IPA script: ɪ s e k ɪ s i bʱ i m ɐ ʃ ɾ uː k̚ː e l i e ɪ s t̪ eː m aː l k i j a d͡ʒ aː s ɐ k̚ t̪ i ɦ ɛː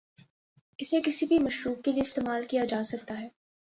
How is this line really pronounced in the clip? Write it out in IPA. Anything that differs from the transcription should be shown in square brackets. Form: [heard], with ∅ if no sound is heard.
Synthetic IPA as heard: ɪ s e k ɪ s i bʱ i m ɐ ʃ ɾ uː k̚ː e l i e ɪ s t̪ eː m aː l k i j a d͡ʒ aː s ɐ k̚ t̪ [a] ɦ ɛː